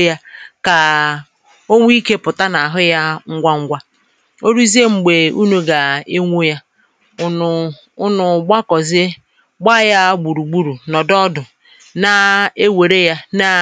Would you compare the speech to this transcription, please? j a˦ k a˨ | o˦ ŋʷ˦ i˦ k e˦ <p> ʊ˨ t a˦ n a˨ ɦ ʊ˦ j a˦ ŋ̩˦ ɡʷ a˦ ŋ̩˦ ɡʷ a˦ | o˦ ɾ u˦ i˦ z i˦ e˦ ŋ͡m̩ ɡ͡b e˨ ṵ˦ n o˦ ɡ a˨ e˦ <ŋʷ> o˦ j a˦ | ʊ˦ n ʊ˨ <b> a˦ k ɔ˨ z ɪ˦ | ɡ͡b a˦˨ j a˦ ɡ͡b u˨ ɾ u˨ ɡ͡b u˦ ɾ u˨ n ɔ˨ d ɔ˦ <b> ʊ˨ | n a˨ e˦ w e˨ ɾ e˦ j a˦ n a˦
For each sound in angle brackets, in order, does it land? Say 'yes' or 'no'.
yes, yes, no, no

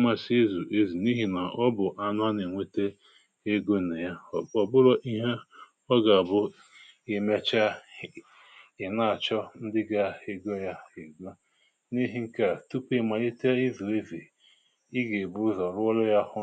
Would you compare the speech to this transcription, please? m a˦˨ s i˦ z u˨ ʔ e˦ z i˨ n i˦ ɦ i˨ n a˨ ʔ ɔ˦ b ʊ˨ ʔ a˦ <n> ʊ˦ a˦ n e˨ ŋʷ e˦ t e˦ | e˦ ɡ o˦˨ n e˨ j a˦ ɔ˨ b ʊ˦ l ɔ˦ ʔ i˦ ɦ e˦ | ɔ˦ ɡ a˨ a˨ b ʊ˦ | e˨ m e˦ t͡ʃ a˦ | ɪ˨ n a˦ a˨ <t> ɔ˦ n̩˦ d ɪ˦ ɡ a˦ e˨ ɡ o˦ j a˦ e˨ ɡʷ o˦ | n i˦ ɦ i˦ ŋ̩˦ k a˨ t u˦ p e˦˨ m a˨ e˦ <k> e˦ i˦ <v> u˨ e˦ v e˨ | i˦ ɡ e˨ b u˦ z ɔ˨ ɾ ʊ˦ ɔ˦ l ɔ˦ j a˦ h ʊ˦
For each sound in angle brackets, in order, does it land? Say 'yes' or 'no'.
yes, no, no, yes

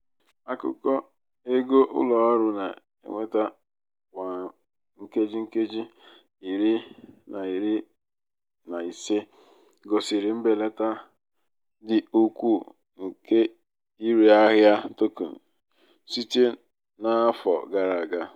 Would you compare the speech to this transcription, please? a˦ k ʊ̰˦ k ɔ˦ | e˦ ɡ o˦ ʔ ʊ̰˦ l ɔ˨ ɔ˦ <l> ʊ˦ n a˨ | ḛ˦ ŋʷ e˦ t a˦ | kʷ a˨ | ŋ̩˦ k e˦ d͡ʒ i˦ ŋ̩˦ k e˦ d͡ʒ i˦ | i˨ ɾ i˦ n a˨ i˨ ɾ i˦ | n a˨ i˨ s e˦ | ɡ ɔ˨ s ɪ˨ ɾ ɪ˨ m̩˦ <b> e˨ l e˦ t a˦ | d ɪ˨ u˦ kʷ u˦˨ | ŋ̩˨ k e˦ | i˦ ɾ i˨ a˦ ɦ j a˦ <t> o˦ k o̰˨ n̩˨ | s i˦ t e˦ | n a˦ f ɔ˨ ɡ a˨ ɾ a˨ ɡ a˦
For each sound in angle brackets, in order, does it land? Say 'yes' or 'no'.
no, yes, yes

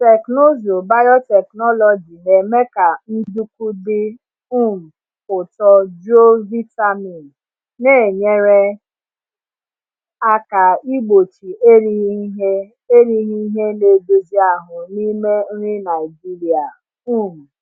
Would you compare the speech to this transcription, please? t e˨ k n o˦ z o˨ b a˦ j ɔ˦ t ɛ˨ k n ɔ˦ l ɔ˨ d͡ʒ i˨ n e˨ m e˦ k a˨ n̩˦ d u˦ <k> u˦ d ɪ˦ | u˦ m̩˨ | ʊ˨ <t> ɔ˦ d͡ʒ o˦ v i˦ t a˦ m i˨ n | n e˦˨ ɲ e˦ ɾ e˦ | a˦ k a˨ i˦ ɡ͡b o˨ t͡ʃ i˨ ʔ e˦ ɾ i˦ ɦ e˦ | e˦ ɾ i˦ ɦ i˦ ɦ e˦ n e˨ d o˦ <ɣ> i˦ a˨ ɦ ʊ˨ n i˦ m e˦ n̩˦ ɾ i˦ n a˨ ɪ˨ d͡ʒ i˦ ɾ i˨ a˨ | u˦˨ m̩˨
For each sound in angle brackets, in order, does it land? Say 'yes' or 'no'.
yes, yes, no

